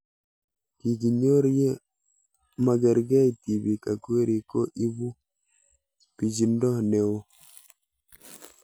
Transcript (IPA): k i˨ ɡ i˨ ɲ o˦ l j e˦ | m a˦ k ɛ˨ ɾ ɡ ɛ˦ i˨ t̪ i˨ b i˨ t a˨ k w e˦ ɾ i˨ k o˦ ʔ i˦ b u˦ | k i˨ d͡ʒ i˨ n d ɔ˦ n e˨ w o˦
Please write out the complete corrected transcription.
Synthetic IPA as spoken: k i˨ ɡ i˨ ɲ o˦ ɾ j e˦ | m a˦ ɡ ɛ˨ ɾ ɡ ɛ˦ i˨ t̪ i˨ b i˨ k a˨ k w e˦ ɾ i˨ k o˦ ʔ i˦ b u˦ | p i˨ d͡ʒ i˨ n d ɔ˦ n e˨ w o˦